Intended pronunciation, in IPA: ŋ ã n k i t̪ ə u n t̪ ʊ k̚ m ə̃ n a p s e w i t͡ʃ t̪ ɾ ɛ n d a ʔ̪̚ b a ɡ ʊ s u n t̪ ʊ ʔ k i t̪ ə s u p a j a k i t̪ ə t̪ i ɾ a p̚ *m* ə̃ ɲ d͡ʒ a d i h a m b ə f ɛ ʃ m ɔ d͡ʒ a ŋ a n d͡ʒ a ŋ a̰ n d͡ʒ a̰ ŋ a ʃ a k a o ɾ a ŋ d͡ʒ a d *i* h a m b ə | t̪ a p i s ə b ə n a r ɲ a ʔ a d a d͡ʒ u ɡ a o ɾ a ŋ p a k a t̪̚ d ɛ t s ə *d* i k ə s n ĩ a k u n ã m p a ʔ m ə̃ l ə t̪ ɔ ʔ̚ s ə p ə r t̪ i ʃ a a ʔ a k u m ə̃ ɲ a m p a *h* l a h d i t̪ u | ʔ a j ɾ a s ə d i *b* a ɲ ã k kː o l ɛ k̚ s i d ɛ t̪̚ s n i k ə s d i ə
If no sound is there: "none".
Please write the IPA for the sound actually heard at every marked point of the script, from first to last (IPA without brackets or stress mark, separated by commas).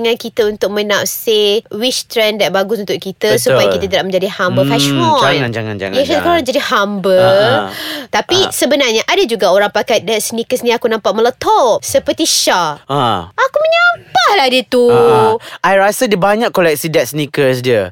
m, i, n, h, b